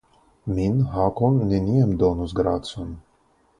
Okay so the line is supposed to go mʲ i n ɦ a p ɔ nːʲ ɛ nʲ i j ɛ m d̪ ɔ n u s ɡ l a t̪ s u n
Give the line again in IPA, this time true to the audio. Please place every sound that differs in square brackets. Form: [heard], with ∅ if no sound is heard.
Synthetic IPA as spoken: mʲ i n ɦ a [k] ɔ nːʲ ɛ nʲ i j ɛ m d̪ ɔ n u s ɡ [ɾ] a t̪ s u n